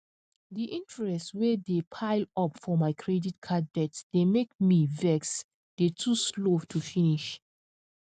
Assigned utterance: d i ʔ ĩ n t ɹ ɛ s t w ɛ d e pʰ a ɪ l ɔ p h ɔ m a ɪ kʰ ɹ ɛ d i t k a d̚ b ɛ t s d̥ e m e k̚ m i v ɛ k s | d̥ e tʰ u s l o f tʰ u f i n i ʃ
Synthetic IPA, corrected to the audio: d i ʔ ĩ n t ɹ ɛ s t w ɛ d e pʰ a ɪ l ɔ p f ɔ m a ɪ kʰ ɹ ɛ d i t kʰ a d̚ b ɛ t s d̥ e m e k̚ m i v ɛ k s | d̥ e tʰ u s l o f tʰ u f i n i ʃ